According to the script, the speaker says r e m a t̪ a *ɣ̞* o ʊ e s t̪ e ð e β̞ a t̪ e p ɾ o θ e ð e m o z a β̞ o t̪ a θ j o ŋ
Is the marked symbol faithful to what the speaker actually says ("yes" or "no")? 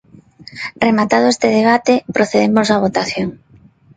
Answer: no